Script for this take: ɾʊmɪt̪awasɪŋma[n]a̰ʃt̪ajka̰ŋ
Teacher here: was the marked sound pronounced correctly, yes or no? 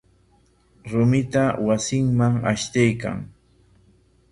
no